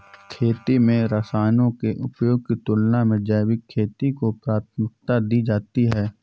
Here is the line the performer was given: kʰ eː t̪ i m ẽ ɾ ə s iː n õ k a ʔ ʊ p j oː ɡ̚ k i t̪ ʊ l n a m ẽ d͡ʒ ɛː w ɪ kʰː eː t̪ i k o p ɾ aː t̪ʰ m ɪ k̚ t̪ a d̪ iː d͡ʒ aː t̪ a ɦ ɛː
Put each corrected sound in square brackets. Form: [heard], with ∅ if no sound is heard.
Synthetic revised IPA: kʰ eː t̪ i m ẽ ɾ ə s [aː] n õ k [e] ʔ ʊ p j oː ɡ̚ k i t̪ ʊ l n a m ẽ d͡ʒ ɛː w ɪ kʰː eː t̪ i k o p ɾ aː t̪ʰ m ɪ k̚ t̪ a d̪ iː d͡ʒ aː t̪ [i] ɦ ɛː